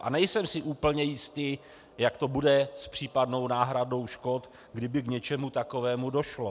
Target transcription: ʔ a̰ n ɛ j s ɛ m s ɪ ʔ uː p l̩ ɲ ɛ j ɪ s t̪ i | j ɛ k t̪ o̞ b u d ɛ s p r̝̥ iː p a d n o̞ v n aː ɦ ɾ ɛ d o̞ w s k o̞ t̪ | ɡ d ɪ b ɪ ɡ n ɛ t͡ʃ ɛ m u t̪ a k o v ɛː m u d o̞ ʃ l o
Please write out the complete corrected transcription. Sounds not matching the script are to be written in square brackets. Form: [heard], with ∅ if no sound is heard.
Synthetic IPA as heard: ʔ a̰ n ɛ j s ɛ m s ɪ ʔ uː p l̩ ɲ ɛ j ɪ s t̪ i | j [a] k t̪ o̞ b u d ɛ s p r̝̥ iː p a d n o̞ [w] n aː ɦ ɾ [a] d o̞ w [ʃ] k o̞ t̪ | ɡ d ɪ b ɪ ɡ [ɲ] ɛ t͡ʃ ɛ m u t̪ a k o v ɛː m u d o̞ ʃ l o